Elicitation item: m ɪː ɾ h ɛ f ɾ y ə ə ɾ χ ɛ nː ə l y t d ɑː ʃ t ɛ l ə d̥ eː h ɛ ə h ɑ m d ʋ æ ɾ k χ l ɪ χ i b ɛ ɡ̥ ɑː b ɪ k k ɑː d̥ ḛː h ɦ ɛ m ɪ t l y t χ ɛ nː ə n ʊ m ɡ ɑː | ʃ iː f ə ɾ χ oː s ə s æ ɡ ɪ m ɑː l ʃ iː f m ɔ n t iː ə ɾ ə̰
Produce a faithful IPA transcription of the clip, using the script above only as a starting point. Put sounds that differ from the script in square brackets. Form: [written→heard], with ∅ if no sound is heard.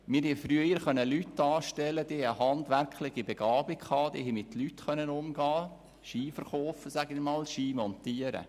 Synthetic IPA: m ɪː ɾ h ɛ f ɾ y ə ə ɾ χ [ɛ→œ] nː ə l y t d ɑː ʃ t ɛ l ə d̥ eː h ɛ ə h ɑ [m→n] d ʋ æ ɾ k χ l ɪ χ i b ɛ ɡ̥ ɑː b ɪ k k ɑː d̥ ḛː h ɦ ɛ m ɪ t l y t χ [ɛ→œ] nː ə n ʊ m ɡ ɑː | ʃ iː f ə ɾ χ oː [s→f] ə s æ ɡ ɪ m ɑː l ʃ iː [f→∅] m ɔ n t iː ə ɾ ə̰